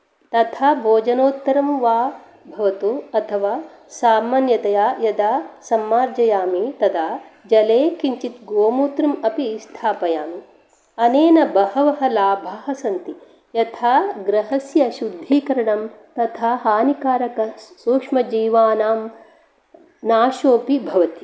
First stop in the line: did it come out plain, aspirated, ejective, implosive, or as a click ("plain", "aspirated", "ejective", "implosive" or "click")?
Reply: plain